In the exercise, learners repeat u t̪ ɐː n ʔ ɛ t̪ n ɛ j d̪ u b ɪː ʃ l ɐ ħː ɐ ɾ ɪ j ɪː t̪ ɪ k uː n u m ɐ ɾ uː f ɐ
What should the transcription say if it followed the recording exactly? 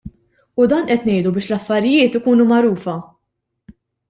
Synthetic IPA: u d̪ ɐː n ʔ ɛ t̪ n ɛ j d̪ u b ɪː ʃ l ɐ fː ɐ ɾ ɪ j ɪː t̪ ɪ k uː n u m ɐ ɾ uː f ɐ